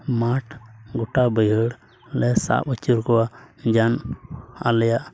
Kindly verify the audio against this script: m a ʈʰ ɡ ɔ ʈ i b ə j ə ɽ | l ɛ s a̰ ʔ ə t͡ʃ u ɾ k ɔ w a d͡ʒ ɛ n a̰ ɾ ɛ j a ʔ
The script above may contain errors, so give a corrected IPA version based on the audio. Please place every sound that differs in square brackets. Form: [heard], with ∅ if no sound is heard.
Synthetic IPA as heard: m a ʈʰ ɡ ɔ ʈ [a] b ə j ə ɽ | l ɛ s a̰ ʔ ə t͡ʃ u ɾ k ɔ w a d͡ʒ [a] n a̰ [l] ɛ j a ʔ